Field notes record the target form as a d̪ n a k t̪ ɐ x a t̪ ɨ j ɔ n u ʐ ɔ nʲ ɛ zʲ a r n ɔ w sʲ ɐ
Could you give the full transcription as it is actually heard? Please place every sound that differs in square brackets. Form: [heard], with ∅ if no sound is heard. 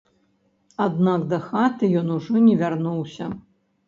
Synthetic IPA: a d̪ n a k [d̪] ɐ x a t̪ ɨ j ɔ n u ʐ ɔ nʲ ɛ [vʲ] a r n [u] w sʲ ɐ